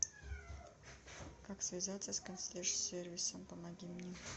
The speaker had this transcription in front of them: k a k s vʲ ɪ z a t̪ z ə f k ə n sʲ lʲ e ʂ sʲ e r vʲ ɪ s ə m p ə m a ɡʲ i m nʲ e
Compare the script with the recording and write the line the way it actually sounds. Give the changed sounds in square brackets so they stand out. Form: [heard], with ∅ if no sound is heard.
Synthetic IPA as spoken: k a k s vʲ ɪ z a t̪ [s] ə [s] k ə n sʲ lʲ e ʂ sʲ e r vʲ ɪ s ə m p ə m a ɡʲ i m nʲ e